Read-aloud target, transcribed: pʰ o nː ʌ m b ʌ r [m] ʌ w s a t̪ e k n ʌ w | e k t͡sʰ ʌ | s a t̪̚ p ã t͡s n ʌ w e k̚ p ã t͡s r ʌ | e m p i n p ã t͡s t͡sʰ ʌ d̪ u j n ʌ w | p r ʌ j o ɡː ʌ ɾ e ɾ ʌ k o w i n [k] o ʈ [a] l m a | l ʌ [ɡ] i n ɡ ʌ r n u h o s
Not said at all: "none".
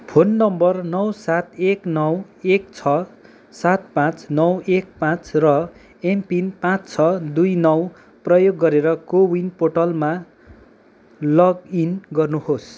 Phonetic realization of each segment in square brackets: n, p, ʌ, ɡ

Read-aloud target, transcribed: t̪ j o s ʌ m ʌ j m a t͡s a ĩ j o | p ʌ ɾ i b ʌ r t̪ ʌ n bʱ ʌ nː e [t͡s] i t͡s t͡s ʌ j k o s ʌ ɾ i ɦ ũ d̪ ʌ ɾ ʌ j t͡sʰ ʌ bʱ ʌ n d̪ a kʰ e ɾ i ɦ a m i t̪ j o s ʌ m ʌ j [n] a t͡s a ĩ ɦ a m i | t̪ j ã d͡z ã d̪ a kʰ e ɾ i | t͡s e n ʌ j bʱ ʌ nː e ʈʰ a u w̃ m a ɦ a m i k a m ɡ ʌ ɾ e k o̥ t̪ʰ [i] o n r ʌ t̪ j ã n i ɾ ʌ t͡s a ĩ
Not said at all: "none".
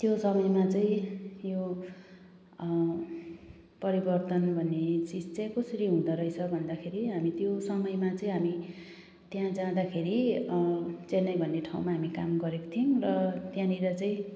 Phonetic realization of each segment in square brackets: t͡s, m, i

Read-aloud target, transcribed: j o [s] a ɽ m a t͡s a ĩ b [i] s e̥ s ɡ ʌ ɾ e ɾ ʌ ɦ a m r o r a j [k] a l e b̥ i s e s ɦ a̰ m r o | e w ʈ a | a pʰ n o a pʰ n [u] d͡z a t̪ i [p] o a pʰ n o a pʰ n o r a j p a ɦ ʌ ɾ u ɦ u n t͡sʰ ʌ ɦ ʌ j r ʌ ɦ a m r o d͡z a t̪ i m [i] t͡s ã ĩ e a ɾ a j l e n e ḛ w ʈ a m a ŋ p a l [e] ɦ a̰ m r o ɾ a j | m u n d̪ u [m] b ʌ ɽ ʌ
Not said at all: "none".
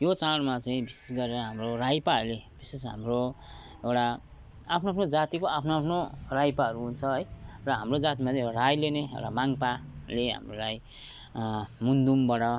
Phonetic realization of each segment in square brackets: t͡s, i, p, o, k, a, e, m

